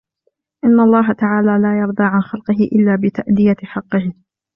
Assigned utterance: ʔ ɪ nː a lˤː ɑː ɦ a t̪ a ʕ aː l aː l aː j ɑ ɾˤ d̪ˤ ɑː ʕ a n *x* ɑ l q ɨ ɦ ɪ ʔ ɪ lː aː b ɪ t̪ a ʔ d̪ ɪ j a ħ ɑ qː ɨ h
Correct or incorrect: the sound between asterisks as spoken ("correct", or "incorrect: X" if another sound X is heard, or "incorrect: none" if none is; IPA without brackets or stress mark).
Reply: correct